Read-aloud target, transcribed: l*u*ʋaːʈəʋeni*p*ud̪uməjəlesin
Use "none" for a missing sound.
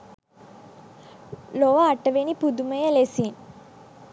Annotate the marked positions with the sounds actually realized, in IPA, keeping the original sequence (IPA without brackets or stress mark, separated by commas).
o, p